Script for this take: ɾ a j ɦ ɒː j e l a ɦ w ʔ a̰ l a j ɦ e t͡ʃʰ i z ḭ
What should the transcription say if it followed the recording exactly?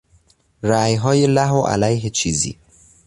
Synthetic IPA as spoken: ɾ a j ɦ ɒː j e l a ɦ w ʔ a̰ l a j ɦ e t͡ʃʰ i z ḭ